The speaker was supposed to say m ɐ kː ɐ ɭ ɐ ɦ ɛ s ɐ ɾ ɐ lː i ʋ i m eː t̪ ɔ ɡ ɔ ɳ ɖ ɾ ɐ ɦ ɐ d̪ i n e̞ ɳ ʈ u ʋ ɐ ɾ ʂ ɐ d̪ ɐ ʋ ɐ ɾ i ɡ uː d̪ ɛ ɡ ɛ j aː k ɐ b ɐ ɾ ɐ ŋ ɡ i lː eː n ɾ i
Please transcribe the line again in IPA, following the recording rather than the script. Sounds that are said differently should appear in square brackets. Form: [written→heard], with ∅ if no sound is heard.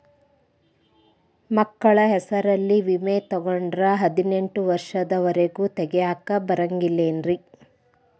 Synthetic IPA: m ɐ kː ɐ ɭ ɐ ɦ ɛ s ɐ ɾ ɐ lː i ʋ i m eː t̪ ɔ ɡ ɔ ɳ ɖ ɾ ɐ ɦ ɐ d̪ i n e̞ ɳ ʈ u ʋ ɐ ɾ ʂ ɐ d̪ ɐ ʋ ɐ ɾ [i→e] ɡ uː [d̪→t̪] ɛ ɡ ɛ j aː k ɐ b ɐ ɾ ɐ ŋ ɡ i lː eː n ɾ i